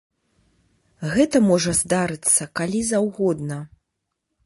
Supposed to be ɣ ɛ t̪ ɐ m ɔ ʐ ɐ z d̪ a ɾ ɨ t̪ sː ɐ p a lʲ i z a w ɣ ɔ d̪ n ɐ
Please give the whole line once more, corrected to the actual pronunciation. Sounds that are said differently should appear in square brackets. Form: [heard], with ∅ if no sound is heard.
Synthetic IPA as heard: ɣ ɛ t̪ ɐ m ɔ ʐ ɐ z d̪ a ɾ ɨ t̪ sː ɐ [k] a lʲ i z a w ɣ ɔ d̪ n ɐ